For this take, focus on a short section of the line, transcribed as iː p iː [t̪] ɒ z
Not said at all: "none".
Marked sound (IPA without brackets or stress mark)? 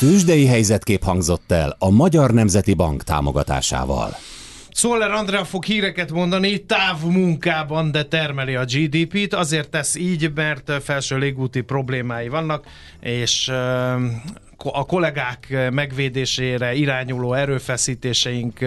t̪